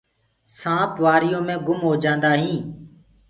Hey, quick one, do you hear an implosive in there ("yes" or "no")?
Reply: no